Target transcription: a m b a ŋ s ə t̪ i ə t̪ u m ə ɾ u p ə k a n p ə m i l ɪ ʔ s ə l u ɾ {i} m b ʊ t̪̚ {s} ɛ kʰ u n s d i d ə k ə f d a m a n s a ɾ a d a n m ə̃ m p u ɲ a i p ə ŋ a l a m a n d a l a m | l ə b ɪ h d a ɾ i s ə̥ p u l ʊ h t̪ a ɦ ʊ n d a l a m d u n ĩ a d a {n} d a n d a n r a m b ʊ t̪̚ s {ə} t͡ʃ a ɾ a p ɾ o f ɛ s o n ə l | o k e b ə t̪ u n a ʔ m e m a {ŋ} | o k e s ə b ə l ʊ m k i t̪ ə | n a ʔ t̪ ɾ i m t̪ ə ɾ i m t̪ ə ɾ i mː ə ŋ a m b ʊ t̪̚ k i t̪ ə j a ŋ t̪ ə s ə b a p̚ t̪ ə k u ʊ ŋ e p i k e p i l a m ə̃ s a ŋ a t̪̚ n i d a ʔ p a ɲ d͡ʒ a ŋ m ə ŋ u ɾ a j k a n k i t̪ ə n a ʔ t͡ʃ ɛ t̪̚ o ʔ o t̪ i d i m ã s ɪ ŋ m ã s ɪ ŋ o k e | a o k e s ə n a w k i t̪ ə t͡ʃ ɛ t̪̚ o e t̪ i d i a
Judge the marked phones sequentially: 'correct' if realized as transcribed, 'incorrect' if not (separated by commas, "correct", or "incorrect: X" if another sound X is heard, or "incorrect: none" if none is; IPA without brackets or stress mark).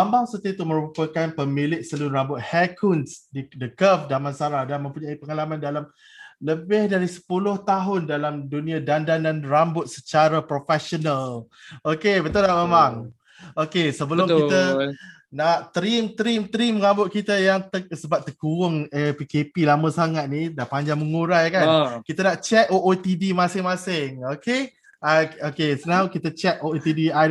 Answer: incorrect: a, incorrect: h, correct, correct, correct